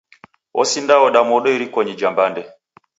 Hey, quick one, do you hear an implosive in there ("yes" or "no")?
yes